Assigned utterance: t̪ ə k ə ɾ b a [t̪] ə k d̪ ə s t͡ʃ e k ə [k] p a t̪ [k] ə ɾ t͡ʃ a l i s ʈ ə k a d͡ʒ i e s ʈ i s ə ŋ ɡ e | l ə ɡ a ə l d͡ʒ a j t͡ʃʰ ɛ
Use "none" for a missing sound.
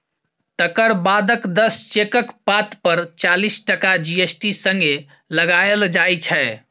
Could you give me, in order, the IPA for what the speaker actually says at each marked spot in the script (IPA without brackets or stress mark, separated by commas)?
d̪, k, p